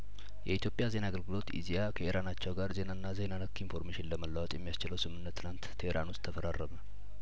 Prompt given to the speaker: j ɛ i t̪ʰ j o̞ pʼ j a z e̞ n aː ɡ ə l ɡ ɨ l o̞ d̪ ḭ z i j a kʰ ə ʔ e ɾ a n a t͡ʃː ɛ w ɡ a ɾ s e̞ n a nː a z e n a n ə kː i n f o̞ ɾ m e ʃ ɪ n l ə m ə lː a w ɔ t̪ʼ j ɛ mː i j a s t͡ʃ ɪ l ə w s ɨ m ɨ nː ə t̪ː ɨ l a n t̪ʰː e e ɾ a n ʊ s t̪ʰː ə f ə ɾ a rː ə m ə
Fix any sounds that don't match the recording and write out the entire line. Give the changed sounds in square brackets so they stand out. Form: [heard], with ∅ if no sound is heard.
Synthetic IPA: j ɛ i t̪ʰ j o̞ pʼ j a z e̞ n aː ɡ ə l ɡ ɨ l o̞ [t̪] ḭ z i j a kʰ ə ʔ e ɾ a n a t͡ʃː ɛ w ɡ a ɾ [z] e̞ n a nː a z e n a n ə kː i n f o̞ ɾ m e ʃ ɪ n l ə m ə lː a w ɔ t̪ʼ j ɛ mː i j a s t͡ʃ ɪ l ə w s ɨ m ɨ nː ə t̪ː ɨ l a n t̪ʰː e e ɾ a n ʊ s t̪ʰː ə f ə ɾ a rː ə m ə